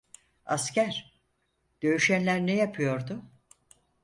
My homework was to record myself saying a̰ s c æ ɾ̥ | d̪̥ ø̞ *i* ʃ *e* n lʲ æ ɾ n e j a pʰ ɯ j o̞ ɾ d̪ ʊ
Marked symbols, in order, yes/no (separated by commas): no, no